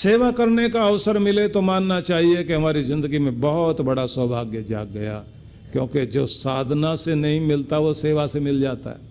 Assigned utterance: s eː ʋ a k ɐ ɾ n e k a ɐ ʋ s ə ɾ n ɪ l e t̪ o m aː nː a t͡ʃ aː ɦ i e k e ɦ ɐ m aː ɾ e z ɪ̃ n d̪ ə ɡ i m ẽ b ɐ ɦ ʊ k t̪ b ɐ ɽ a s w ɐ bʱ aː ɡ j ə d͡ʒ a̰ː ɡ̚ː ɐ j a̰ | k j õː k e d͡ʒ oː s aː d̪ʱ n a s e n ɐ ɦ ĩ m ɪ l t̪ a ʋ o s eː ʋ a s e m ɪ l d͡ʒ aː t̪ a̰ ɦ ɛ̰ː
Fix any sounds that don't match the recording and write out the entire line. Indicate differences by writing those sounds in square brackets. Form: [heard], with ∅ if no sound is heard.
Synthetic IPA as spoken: s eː ʋ a k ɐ ɾ n e k a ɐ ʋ s ə ɾ [m] ɪ l e t̪ o m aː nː a t͡ʃ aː ɦ i e k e ɦ ɐ m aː ɾ [i] z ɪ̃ n d̪ ə ɡ i m ẽ b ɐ ɦ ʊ [∅] t̪ b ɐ ɽ a s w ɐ bʱ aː ɡ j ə d͡ʒ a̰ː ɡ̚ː ɐ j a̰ | k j õː k e d͡ʒ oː s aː d̪ʱ n a s e n ɐ ɦ ĩ m ɪ l t̪ a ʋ o s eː ʋ a s e m ɪ l d͡ʒ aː t̪ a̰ ɦ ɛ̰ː